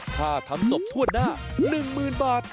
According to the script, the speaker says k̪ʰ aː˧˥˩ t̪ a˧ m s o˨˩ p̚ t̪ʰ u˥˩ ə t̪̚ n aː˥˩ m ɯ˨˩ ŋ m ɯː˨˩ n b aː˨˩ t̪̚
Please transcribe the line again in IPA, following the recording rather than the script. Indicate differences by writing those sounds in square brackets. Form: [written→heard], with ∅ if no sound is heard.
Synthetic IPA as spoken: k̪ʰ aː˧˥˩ [t̪→t̪ʰ] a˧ m s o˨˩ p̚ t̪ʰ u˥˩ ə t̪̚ n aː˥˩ [m→n] ɯ˨˩ ŋ m ɯː˨˩ n b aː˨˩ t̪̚